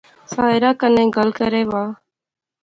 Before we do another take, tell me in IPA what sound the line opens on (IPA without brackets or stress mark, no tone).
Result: s